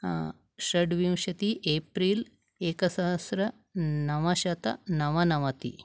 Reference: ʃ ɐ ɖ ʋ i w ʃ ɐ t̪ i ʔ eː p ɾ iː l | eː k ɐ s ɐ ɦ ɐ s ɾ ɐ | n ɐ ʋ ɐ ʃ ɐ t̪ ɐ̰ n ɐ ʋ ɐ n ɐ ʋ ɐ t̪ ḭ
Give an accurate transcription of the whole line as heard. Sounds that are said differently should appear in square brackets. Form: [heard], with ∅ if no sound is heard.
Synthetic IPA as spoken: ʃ ɐ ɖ ʋ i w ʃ ɐ t̪ i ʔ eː p ɾ iː l | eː k ɐ s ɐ ɦ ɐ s ɾ ɐ | n ɐ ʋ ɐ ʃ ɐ t̪ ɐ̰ n ɐ ʋ ɐ n ɐ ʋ ɐ t̪ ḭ